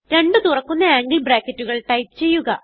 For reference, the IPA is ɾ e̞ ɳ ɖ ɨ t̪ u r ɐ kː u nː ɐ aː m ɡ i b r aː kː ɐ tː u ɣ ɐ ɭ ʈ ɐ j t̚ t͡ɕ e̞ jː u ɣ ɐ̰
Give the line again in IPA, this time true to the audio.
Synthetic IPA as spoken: ɾ e̞ ɳ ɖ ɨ t̪ u r ɐ kː u nː ɐ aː ŋ ɡ i b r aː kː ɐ tː u ɣ ɐ ɭ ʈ ɐ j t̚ t͡ɕ e̞ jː u ɣ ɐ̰